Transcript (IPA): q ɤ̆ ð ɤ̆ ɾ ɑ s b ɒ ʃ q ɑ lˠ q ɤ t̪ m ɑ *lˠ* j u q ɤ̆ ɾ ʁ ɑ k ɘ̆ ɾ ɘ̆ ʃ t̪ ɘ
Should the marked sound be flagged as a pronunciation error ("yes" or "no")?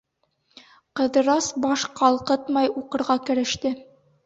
yes